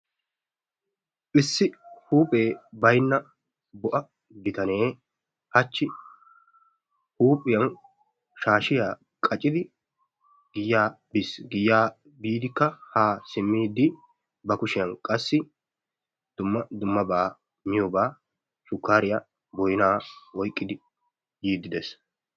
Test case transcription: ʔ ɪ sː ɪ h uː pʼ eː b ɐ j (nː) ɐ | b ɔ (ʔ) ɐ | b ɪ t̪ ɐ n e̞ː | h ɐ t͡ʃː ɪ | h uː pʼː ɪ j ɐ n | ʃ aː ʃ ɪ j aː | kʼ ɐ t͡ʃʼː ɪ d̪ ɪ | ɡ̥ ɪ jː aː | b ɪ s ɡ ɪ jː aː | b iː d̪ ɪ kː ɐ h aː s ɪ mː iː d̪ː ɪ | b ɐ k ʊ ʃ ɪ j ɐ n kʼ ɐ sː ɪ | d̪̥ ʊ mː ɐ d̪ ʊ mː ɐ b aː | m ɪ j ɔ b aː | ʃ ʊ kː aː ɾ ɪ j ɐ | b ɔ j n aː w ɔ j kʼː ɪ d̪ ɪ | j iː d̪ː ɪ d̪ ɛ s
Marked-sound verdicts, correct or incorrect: correct, correct

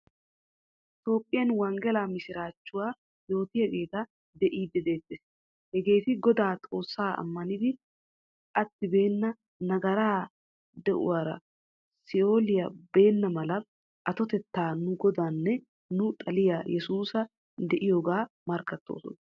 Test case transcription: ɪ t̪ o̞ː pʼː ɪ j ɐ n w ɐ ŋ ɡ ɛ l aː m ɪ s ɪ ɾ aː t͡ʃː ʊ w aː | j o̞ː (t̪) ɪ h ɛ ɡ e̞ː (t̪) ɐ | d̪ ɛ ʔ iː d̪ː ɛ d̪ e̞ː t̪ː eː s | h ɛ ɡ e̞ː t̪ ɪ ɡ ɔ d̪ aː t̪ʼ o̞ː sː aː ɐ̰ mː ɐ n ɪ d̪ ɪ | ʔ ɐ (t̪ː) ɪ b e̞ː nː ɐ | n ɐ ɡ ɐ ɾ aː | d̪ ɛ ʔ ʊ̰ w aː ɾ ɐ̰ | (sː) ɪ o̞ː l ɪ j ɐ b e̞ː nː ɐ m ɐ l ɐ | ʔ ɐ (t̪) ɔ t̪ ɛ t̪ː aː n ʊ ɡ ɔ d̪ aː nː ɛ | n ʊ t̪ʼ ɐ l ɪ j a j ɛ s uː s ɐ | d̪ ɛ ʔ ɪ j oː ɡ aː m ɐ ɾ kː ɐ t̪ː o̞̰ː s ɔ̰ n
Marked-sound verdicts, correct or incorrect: correct, correct, correct, incorrect: s, correct

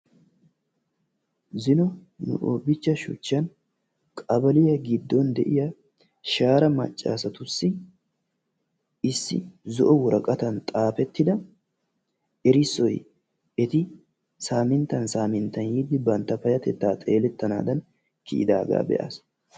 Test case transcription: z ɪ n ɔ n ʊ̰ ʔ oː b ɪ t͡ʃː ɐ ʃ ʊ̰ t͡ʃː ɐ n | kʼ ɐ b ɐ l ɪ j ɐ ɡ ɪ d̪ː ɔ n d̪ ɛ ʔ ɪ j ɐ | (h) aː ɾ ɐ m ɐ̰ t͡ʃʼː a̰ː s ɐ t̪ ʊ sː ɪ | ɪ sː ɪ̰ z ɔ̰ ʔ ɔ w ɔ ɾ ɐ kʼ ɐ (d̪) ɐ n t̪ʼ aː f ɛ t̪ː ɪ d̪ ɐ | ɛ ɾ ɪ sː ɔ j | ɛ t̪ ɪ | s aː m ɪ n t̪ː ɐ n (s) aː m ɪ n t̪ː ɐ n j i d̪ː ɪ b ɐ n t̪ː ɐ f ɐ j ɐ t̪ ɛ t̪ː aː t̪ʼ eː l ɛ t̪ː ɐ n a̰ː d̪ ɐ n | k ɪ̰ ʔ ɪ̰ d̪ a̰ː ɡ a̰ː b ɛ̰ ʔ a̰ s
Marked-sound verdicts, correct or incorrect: incorrect: ʃ, incorrect: t̪, correct

